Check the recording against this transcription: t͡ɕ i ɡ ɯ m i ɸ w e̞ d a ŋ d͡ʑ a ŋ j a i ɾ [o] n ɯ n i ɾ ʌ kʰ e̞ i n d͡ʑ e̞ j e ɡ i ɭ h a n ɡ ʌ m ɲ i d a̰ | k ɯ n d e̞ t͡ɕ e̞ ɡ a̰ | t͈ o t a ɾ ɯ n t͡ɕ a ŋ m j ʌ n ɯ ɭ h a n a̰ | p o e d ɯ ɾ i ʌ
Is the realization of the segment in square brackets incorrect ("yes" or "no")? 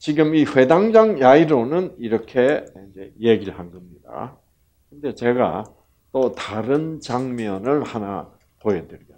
no